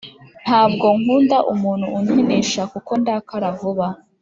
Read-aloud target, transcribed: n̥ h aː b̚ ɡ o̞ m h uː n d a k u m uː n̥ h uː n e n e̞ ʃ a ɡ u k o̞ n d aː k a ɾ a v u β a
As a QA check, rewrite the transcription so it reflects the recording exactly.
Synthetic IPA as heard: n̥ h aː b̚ ɡ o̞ ŋ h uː n d a ʔ u m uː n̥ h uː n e n e̞ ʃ a k u k o̞ n d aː k a ɾ a v u β a

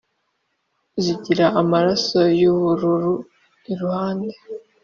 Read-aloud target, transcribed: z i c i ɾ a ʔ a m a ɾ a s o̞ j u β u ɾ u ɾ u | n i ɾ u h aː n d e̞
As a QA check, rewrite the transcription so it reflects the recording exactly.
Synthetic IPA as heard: z i ɟ i ɾ a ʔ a m a ɾ a s o̞ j u β u ɾ u ɾ u | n i ɾ u h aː n d e̞

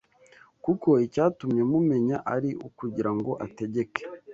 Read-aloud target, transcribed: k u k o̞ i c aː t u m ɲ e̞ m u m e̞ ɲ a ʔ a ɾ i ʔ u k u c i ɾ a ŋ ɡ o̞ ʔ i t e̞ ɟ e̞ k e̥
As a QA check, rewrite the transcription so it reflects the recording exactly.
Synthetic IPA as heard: k u k o̞ i c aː t u m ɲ e̞ m u m e̞ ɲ a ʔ a ɾ i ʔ u k u ɟ i ɾ a ŋ ɡ o̞ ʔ a t e̞ ɟ e̞ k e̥

